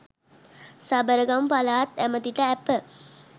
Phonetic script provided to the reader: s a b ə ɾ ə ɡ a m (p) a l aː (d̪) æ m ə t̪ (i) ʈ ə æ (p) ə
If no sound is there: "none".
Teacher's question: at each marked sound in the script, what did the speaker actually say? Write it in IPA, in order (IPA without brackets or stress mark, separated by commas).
p, t̪, i, p